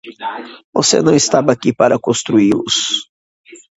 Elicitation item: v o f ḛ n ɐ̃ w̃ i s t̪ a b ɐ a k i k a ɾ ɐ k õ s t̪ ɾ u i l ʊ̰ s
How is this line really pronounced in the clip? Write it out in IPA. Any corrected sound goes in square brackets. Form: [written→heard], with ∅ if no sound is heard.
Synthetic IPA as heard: v o [f→s] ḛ n ɐ̃ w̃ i s t̪ a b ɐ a k i [k→p] a ɾ ɐ k õ s t̪ ɾ u i l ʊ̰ s